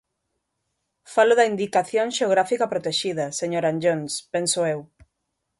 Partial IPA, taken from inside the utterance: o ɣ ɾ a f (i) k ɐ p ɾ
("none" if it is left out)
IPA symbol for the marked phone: i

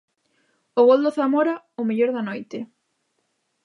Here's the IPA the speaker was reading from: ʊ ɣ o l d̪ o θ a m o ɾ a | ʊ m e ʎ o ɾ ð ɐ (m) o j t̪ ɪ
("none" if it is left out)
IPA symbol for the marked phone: n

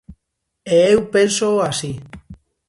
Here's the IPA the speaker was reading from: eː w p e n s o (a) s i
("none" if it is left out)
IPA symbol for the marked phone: a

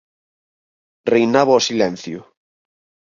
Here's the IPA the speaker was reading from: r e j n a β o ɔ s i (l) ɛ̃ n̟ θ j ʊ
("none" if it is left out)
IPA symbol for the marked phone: l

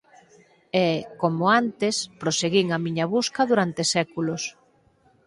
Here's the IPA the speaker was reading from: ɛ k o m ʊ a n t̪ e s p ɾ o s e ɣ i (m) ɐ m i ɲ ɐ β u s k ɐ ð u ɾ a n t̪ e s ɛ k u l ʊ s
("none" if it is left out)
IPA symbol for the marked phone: ŋ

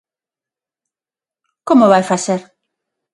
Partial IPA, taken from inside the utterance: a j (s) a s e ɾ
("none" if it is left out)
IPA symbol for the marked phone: f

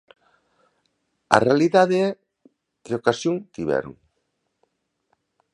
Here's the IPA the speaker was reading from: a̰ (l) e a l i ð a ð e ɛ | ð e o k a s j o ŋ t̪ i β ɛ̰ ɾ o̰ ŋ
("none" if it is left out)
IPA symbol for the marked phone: r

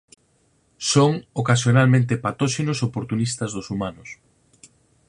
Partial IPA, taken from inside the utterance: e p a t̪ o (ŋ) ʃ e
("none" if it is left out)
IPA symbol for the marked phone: none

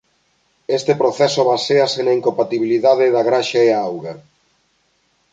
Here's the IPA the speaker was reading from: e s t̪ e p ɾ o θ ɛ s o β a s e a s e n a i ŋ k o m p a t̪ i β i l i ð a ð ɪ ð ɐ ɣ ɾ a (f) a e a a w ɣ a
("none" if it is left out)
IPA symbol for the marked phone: ʃ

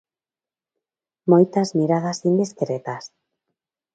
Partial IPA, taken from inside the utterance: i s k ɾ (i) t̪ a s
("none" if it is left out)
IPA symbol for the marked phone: e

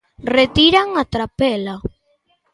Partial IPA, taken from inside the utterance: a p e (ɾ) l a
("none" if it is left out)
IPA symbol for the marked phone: none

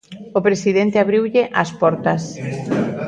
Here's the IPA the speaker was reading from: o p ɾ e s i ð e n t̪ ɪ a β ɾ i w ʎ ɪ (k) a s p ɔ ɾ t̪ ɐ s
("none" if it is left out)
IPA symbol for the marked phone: ʔ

